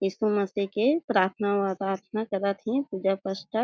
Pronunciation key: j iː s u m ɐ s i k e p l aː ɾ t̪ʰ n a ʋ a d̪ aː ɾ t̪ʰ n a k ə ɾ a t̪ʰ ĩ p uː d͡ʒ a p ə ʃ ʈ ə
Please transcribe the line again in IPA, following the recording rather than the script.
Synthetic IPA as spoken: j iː s u m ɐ s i k e p ɾ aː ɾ t̪ʰ n a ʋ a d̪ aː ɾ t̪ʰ n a k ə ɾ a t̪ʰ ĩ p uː d͡ʒ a p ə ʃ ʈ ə